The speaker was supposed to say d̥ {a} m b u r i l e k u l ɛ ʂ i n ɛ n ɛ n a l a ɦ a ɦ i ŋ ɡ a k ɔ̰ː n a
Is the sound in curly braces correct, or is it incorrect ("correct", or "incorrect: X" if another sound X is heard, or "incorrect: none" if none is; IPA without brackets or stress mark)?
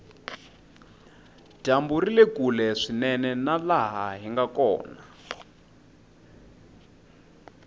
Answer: correct